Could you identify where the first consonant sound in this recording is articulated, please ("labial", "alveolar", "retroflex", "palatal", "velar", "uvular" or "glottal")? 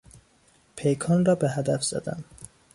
labial